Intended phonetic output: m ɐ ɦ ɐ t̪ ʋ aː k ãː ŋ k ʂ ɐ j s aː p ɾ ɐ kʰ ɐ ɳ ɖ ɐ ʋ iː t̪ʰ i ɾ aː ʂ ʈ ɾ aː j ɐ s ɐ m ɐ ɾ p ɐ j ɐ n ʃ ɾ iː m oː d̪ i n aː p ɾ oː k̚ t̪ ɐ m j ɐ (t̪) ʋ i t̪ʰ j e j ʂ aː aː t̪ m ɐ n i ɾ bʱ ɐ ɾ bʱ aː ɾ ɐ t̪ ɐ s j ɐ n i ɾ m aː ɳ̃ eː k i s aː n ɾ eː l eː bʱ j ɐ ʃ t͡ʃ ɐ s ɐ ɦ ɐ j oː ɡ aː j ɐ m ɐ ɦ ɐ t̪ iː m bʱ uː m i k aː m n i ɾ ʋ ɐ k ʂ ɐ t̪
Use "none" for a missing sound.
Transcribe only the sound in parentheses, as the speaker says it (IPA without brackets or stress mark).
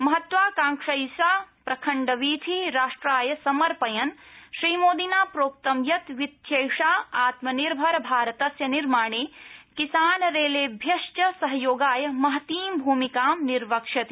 t̪